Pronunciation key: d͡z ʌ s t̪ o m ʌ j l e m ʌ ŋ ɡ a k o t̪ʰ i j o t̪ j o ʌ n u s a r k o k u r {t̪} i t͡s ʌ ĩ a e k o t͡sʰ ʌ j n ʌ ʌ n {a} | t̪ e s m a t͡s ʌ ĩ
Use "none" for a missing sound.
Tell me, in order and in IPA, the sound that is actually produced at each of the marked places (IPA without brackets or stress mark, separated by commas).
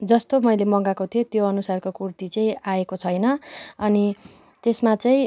t̪, i